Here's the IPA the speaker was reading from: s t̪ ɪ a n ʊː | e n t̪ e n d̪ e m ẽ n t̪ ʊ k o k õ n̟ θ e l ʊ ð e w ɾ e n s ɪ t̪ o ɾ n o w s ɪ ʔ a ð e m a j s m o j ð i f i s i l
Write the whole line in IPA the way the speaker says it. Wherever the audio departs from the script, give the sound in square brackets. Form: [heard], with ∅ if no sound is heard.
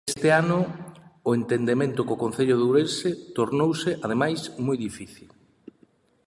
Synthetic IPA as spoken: s t̪ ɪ a n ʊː | e n t̪ e n d̪ e m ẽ n t̪ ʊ k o k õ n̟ θ e [ʎ] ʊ ð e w ɾ e n s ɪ t̪ o ɾ n o w s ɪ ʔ a ð e m a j s m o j ð i f i [θ] i l